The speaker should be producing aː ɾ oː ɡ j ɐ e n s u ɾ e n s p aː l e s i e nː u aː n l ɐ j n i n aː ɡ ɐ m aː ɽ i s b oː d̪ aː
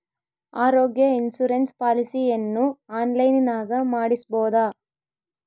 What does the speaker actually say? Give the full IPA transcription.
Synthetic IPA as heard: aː ɾ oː ɡ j ɐ i n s u ɾ e n s p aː l i s i e nː u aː n l ɐ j n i n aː ɡ ɐ m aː ɽ i s b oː d̪ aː